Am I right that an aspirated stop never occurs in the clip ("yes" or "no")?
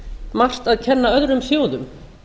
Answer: no